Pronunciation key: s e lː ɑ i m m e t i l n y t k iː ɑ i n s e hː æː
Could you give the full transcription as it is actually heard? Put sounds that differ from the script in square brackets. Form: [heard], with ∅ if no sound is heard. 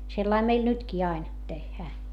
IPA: s e lː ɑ i m m e [∅] i l n y t k iː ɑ i n [t] e hː æː